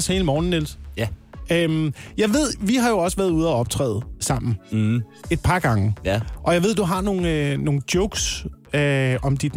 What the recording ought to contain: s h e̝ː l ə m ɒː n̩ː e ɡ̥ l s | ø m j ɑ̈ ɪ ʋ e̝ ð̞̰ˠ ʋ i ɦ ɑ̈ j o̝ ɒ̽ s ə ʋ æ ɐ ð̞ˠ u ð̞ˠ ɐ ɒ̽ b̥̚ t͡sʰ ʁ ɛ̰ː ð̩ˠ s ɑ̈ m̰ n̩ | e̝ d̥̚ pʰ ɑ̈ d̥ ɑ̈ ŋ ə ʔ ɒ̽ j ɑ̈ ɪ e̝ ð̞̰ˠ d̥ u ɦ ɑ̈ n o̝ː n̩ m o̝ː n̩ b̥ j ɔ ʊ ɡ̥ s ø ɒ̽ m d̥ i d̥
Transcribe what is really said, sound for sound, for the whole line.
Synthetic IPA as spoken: s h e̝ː l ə m ɒː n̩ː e l s | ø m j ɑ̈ ɪ ʋ e̝ ð̞̰ˠ ʋ i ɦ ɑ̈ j o̝ ɒ̽ s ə ʋ æ ɐ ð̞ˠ u ð̞ˠ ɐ ɒ̽ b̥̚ t͡sʰ ʁ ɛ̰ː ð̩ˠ s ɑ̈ m̰ n̩ | e̝ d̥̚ pʰ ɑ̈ ɡ̥ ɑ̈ ŋ ə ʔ ɒ̽ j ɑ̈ ɪ e̝ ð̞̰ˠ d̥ u ɦ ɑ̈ n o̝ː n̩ n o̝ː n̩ d̥ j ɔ ʊ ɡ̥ s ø ɒ̽ m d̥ i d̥